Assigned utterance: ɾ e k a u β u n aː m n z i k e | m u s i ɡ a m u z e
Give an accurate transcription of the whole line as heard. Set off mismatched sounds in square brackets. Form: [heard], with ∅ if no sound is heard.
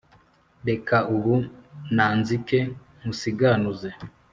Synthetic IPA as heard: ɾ e k a u β u n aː [∅] n z i k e | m u s i ɡ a [n] u z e